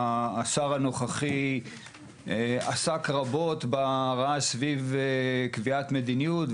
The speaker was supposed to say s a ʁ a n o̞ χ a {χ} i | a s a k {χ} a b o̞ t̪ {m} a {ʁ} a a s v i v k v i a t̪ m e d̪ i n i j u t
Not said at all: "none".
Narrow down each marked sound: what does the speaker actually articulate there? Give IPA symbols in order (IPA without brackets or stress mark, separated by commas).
χ, ʁ, b, ʁ